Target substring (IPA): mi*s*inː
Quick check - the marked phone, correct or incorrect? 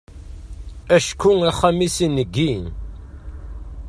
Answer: correct